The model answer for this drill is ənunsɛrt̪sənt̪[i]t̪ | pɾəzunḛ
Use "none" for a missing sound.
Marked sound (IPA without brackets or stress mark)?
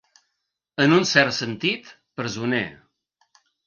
i